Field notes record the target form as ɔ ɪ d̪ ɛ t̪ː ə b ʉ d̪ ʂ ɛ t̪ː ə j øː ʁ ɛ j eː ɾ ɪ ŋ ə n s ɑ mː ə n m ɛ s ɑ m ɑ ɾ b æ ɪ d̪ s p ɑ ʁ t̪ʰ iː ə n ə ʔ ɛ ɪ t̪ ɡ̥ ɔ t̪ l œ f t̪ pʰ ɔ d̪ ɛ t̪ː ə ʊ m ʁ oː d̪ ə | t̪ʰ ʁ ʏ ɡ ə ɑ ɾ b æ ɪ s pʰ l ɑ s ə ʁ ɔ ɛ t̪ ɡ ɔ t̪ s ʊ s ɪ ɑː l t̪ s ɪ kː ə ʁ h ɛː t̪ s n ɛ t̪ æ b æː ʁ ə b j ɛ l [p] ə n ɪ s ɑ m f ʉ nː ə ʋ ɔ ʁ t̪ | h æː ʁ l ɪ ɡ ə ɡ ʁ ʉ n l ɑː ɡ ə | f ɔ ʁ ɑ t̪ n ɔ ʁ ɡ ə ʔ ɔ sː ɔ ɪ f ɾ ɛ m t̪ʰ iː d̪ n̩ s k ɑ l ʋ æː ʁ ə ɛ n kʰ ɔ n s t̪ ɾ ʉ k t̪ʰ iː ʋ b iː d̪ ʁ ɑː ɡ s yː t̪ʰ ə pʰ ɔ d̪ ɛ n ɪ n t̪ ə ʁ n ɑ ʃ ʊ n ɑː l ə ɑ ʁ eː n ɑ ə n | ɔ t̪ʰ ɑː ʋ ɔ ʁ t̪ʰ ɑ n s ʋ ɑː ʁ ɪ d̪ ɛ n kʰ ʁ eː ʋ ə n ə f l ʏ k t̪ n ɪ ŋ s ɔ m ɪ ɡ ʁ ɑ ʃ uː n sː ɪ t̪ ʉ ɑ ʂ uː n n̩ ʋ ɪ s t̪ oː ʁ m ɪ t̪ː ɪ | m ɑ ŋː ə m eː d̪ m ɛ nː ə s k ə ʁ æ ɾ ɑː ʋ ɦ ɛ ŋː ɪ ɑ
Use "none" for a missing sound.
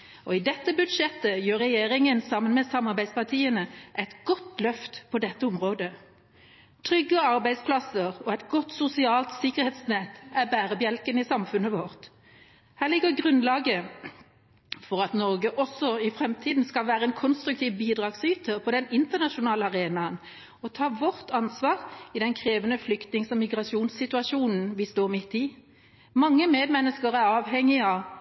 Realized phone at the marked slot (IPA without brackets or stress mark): k